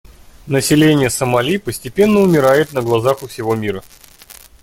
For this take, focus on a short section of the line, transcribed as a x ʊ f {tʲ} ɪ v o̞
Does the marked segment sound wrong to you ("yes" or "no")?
yes